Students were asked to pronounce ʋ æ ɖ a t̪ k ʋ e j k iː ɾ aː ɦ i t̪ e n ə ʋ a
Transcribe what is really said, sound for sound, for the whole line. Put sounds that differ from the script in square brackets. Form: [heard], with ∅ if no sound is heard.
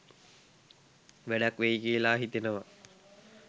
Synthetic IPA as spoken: ʋ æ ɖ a [∅] k ʋ e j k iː [l] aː ɦ i t̪ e n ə ʋ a